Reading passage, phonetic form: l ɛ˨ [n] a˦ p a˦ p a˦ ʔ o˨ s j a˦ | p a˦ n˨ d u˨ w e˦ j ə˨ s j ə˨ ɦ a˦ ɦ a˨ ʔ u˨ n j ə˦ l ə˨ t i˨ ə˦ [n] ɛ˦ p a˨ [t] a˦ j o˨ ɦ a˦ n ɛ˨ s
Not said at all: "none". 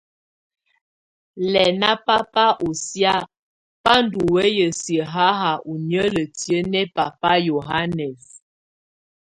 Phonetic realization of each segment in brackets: n, n, p

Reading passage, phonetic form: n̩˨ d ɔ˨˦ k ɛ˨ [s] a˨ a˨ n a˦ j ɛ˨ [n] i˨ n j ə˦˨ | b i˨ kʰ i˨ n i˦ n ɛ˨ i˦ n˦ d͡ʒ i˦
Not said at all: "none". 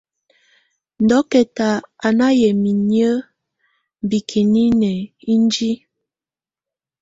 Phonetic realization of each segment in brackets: t, m

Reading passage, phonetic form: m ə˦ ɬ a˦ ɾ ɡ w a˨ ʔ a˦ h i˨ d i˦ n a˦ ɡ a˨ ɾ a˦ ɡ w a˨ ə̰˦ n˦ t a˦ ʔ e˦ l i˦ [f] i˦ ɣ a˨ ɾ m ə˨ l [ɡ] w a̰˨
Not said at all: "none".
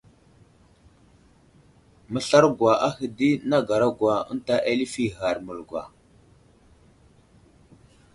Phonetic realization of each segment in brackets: f, ɡ

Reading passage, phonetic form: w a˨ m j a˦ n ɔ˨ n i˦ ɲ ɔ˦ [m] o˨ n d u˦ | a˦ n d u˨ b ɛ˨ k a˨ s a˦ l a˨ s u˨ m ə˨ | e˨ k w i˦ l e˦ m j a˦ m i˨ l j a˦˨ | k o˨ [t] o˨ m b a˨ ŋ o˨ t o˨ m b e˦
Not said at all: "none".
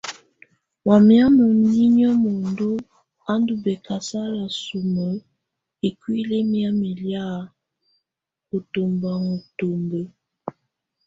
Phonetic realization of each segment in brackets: m, t

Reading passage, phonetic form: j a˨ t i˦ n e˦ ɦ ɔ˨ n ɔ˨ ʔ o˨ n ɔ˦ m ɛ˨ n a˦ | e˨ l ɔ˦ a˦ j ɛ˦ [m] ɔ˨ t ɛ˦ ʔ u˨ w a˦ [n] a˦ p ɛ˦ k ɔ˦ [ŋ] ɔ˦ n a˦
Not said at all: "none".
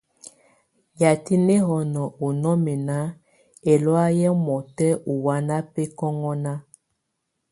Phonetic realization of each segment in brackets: m, n, ŋ

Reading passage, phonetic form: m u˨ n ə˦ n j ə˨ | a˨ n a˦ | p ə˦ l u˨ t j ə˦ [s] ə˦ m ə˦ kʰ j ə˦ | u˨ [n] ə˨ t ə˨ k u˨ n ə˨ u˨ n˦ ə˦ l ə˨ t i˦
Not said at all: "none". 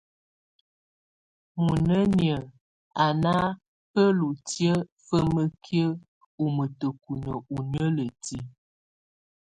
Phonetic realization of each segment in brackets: f, m

